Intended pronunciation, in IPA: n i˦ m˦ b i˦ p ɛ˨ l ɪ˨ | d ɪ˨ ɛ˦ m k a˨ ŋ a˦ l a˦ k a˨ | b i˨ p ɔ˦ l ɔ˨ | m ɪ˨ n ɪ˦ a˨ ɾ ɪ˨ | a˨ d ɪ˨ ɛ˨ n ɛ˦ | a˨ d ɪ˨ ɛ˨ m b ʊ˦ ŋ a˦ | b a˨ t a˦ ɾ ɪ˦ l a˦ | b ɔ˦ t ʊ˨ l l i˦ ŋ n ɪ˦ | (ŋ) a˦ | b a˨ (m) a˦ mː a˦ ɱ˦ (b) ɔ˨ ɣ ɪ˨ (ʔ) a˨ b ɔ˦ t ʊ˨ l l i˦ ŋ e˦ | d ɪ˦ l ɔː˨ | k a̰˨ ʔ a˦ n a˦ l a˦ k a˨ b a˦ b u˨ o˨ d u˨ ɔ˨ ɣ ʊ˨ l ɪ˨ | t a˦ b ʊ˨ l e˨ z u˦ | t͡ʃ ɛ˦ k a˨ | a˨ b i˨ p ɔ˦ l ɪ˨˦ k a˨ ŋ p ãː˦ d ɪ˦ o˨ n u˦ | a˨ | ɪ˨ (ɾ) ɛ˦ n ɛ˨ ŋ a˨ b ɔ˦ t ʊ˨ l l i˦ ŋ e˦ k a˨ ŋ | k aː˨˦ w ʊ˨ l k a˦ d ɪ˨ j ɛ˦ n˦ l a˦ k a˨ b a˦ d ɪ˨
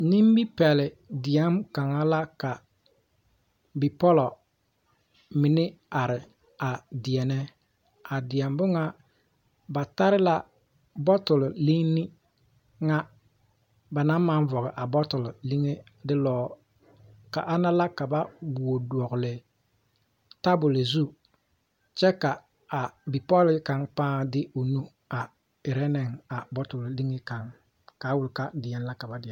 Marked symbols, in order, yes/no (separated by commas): yes, no, no, yes, yes